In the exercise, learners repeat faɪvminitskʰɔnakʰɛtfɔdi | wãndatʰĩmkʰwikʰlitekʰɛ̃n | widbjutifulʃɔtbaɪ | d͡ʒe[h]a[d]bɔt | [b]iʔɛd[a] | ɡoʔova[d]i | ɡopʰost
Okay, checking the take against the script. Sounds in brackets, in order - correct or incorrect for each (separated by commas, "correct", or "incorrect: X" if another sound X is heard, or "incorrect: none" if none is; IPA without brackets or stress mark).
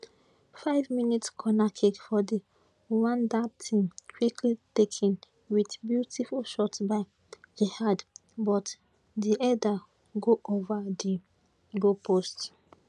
correct, correct, incorrect: d, correct, correct